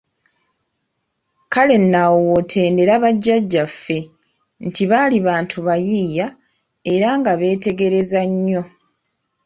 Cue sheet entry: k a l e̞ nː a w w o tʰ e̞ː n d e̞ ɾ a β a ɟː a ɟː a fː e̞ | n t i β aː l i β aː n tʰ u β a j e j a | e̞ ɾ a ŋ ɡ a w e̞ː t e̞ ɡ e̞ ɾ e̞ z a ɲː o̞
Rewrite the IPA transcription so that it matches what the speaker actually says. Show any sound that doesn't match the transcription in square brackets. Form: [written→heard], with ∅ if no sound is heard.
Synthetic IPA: k a l e̞ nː a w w o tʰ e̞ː n d e̞ ɾ a β a ɟː a ɟː a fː e̞ | n t i β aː l i β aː n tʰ u β a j [e→i] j a | e̞ ɾ a ŋ ɡ a [w→β] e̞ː t e̞ ɡ e̞ ɾ e̞ z a ɲː o̞